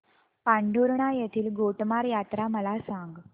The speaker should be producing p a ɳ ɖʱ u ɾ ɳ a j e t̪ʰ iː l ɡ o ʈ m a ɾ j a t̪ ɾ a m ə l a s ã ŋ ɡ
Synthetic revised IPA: p a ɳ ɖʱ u ɾ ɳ a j e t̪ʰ iː l ɡ o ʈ m a ɾ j a t̪ ɾ a m ə l a s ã ŋ ɡ